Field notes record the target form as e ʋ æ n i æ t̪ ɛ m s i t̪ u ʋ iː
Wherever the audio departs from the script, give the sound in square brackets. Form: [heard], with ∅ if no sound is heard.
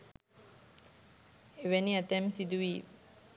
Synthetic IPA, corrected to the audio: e ʋ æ n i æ t̪ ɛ m s i [d̪] u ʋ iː